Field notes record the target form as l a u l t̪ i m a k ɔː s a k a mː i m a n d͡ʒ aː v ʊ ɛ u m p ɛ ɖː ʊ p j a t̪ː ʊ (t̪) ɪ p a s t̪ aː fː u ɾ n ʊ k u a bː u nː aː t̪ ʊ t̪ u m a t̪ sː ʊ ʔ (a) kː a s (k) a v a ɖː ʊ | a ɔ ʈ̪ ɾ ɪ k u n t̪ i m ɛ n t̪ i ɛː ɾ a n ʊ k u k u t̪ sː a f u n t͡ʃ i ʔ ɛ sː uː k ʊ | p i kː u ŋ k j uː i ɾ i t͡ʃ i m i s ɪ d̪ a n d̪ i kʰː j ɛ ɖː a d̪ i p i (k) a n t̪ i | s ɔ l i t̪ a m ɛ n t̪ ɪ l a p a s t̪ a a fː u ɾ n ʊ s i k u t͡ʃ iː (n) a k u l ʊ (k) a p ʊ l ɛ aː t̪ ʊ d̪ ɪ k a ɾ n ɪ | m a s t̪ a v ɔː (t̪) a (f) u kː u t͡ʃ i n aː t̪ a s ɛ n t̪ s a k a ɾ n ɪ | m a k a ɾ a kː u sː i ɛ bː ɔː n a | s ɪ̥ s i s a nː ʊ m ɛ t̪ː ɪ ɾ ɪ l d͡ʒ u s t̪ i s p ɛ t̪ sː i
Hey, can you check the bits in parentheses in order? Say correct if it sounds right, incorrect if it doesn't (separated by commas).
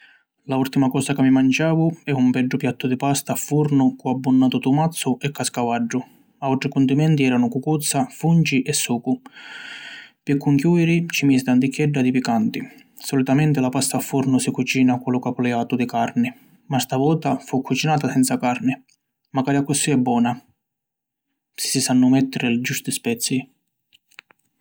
incorrect, incorrect, correct, correct, correct, correct, correct, correct